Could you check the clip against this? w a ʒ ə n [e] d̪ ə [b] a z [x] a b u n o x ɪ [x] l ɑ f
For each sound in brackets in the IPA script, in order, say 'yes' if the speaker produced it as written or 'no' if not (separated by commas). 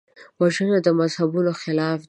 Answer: no, no, no, no